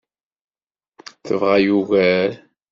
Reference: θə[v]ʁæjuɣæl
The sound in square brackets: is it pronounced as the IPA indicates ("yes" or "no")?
yes